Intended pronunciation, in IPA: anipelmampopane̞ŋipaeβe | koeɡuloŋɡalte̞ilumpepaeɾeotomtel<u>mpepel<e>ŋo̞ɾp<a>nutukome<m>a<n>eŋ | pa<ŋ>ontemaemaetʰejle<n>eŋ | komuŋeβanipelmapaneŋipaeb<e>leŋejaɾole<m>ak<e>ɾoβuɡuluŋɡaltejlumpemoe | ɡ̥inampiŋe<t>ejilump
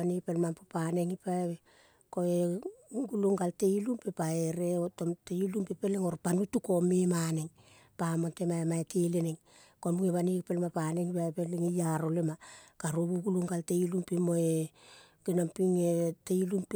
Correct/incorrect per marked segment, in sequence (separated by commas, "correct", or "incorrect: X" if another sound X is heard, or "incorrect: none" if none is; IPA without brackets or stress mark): correct, correct, correct, correct, correct, incorrect: m, correct, correct, correct, incorrect: a, correct